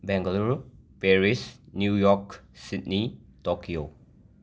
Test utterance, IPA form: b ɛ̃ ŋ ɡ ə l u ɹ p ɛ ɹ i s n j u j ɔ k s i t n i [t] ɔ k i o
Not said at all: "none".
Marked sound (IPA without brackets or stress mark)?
t